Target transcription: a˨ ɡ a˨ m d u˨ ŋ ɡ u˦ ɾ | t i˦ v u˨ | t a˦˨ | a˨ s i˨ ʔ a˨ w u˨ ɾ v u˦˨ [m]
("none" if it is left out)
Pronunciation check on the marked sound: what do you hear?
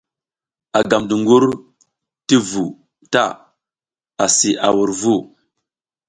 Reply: none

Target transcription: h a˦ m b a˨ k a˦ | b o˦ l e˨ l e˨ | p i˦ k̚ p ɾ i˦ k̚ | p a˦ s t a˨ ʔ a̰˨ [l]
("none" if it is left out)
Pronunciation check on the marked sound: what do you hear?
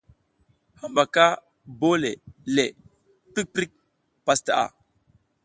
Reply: none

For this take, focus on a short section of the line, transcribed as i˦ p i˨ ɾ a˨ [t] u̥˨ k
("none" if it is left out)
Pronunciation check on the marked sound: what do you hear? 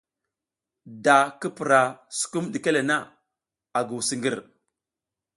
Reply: s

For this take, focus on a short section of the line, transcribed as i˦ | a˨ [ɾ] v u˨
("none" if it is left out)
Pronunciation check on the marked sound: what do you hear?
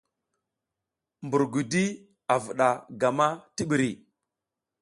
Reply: none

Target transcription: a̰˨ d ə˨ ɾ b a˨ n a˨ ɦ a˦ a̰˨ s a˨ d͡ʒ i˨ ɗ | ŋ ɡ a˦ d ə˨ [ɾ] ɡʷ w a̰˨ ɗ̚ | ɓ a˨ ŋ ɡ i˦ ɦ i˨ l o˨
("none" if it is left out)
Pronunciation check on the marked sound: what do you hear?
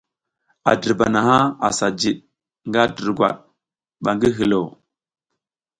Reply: ɾ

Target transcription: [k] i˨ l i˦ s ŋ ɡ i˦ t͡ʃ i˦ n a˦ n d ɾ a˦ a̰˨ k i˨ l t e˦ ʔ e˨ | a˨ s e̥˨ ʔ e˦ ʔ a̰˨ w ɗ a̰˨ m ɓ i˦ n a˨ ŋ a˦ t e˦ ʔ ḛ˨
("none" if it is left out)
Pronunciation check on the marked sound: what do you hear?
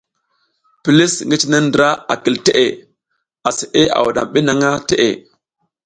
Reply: p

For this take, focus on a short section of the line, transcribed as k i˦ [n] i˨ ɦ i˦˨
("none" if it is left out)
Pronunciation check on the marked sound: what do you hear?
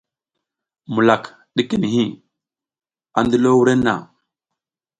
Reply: n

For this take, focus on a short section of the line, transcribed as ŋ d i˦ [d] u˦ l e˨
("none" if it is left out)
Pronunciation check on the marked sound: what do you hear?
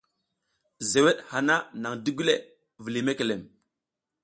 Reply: ɡ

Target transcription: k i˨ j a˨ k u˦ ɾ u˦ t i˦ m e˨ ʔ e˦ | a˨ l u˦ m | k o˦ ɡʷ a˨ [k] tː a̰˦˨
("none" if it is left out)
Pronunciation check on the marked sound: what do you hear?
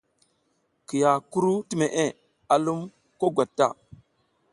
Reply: none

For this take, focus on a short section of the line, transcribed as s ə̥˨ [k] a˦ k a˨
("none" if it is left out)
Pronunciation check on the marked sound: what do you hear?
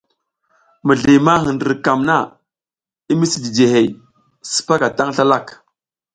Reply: p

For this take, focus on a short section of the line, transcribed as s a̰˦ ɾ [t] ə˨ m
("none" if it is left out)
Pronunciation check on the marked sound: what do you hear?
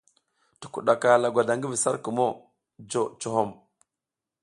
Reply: k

